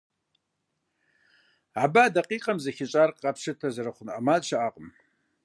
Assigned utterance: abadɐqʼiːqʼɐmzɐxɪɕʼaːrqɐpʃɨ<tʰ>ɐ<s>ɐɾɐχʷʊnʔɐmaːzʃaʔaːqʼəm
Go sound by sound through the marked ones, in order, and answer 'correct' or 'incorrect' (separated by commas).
correct, incorrect